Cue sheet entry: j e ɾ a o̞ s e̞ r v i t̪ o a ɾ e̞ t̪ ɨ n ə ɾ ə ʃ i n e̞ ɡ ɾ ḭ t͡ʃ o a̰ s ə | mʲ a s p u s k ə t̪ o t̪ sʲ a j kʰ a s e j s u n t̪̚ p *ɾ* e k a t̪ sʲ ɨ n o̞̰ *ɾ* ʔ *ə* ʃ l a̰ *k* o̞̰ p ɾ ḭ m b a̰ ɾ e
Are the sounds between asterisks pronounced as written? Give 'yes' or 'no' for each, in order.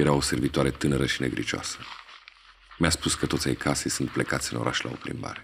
no, yes, no, no

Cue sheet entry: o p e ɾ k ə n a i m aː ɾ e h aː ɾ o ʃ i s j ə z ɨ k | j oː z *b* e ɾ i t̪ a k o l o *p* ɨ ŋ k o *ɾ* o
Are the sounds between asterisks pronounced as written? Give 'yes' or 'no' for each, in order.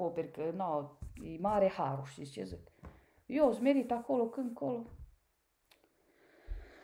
no, no, no

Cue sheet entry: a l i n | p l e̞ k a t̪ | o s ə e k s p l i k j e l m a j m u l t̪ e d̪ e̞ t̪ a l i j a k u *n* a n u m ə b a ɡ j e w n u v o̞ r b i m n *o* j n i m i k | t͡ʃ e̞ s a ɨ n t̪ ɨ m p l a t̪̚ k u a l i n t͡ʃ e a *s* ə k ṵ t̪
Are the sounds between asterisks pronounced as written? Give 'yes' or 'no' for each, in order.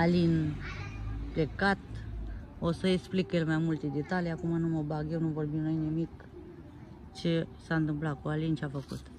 no, yes, no

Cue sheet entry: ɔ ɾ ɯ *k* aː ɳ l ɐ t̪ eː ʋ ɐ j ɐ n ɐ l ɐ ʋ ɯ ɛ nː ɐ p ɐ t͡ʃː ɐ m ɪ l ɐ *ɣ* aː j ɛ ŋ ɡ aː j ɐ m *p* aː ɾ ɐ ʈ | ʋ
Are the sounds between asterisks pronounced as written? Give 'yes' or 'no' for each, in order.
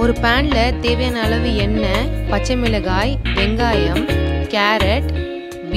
no, yes, no

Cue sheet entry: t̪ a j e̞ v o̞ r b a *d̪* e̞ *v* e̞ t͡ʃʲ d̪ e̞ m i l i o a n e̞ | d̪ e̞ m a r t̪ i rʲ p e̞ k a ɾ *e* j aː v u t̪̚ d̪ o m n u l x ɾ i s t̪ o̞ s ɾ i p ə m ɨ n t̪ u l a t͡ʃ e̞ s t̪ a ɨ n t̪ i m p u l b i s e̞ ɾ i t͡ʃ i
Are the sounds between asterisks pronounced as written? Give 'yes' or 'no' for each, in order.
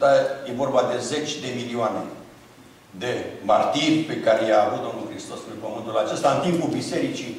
yes, no, yes

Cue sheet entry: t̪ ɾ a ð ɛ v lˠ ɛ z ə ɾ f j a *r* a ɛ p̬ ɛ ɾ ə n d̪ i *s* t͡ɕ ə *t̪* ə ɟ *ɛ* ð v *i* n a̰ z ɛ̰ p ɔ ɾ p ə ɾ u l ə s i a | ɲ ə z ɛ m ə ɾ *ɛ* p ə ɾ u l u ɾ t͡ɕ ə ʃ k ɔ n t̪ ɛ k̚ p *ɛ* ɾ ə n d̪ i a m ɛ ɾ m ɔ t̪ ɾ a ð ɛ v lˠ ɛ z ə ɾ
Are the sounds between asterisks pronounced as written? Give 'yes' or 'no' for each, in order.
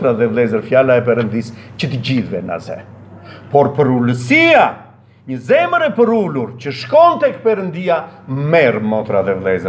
no, yes, yes, no, no, yes, yes

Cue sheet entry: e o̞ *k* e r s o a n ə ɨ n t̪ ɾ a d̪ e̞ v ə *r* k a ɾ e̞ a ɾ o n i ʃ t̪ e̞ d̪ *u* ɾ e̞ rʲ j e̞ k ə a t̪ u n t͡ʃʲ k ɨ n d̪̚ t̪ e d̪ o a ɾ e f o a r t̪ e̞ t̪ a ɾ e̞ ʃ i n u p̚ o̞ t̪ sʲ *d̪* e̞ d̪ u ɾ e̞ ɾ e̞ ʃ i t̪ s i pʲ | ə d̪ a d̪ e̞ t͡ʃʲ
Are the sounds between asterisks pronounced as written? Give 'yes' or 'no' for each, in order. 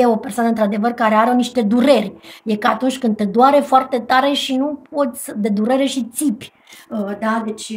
no, yes, yes, yes

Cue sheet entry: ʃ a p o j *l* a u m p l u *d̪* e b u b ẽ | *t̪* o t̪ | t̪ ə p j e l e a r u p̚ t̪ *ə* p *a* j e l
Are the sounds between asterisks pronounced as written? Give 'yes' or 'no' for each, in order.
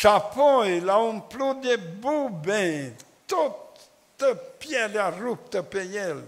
yes, yes, yes, yes, no

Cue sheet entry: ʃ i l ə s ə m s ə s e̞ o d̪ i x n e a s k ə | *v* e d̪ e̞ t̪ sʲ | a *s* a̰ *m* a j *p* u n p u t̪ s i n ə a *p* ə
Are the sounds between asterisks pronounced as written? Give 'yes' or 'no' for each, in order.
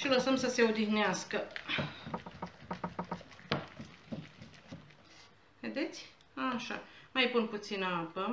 yes, no, yes, yes, yes

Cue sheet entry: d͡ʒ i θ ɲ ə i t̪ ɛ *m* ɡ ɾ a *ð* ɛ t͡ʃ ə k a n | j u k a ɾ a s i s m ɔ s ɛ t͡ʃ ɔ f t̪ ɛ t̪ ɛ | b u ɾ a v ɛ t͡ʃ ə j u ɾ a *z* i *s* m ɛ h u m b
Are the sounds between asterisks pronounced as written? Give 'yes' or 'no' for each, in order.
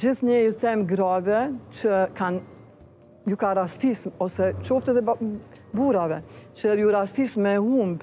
yes, no, no, yes

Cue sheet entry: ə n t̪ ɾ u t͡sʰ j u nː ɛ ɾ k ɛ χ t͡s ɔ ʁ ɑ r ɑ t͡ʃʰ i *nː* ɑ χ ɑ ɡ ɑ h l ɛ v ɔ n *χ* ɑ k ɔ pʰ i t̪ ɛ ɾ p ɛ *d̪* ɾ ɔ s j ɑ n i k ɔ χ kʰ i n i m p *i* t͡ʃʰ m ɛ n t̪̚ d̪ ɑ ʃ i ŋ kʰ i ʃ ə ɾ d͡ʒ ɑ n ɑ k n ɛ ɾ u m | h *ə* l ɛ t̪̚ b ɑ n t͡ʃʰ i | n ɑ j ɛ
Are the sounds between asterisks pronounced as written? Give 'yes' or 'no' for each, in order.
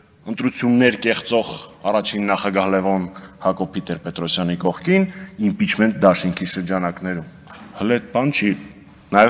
yes, no, no, yes, yes

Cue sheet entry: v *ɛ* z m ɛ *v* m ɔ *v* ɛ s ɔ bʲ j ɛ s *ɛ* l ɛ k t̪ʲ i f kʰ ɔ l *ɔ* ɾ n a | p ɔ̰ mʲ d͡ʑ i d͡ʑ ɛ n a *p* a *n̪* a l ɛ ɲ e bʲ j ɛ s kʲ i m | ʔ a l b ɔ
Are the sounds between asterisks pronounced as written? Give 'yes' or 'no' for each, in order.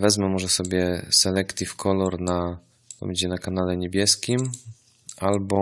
yes, no, no, yes, yes, no, yes

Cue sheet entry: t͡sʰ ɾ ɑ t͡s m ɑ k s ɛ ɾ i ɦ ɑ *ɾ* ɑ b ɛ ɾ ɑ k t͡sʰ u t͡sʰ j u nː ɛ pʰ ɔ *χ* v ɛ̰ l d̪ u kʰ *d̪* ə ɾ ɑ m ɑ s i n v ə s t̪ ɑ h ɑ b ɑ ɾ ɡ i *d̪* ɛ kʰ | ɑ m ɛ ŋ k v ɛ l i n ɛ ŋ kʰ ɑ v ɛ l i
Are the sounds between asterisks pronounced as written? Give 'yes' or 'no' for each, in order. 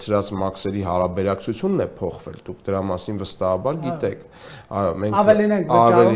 yes, yes, yes, no

